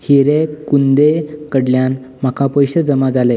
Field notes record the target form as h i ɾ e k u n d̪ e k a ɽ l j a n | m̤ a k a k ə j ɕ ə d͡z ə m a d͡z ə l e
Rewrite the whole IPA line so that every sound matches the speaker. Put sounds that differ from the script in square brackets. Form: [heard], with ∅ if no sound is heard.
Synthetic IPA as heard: h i ɾ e k u n d̪ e k [ə] ɽ l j a n | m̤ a k a [p] ə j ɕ ə d͡z ə m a d͡z [a] l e

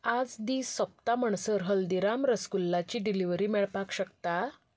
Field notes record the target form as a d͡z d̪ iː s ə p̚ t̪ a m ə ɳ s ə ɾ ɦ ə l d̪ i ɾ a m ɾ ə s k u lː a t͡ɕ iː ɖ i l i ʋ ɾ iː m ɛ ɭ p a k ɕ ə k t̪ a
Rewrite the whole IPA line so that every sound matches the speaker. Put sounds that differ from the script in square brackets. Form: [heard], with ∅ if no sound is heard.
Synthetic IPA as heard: a d͡z d̪ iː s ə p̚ t̪ a m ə ɳ s ə ɾ ɦ ə l d̪ i ɾ a m ɾ ə s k u lː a t͡ɕ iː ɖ i l i ʋ ɾ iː m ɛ ɭ p a k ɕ ə k t̪ a

